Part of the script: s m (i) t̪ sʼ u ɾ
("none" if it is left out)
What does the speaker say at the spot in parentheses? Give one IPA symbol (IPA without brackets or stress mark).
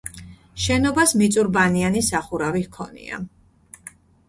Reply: i